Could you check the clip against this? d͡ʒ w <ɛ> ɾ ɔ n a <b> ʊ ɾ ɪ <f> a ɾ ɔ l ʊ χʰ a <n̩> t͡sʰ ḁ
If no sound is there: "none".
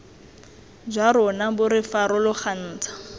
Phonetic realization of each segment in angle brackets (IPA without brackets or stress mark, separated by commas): a, b, f, n̩ː